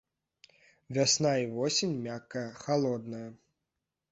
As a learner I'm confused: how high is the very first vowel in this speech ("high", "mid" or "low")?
low